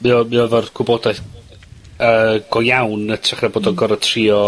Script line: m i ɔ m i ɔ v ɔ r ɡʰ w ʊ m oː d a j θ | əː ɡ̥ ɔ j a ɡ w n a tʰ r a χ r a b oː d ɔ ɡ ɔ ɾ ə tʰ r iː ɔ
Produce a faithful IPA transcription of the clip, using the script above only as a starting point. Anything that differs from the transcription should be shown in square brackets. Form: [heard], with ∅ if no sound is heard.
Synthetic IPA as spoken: m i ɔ m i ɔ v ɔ r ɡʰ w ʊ [b] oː d a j θ | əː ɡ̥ ɔ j a [∅] w n [ə] tʰ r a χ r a b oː d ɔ ɡ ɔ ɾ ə tʰ r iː ɔ